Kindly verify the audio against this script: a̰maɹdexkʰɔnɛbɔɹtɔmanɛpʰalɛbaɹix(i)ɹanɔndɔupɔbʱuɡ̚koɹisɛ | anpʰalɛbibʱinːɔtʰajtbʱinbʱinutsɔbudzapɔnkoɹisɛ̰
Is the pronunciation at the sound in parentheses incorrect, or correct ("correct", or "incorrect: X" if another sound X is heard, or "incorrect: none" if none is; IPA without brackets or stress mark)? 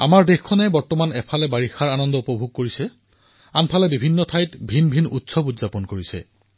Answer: incorrect: a